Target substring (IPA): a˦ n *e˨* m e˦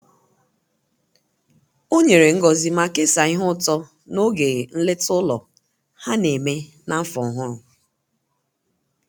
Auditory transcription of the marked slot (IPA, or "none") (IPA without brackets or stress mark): e˨